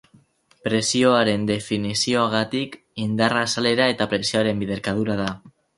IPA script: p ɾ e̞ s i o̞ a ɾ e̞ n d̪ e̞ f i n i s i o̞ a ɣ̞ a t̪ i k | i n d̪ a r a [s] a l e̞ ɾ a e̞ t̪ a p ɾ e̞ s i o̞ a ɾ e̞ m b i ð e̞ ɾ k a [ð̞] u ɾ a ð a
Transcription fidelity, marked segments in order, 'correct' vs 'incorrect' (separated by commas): correct, correct